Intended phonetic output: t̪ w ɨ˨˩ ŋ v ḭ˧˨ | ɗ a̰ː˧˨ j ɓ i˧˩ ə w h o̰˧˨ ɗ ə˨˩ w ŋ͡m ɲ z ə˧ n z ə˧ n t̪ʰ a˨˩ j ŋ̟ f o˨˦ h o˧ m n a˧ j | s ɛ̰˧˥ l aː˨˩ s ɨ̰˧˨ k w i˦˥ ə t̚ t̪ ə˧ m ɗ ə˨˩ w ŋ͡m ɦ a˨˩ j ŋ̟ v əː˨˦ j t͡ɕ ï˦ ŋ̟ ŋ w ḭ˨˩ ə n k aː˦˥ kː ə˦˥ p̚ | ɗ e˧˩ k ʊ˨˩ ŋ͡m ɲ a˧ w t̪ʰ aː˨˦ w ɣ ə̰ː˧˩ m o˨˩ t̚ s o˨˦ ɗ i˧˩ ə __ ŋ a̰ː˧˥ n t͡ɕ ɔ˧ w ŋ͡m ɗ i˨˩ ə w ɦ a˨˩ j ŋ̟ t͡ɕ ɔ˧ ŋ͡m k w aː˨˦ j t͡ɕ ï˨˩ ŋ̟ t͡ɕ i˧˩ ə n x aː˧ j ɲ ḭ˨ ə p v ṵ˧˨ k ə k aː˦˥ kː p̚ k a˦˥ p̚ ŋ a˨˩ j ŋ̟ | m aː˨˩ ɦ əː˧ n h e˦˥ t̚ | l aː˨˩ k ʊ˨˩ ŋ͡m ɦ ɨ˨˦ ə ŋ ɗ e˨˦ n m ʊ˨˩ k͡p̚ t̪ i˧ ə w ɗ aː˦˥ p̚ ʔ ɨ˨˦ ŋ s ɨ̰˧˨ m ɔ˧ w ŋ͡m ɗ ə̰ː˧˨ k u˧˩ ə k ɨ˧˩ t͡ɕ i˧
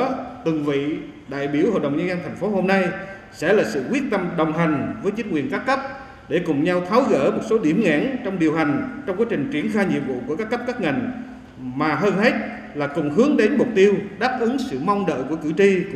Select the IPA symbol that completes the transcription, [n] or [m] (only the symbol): m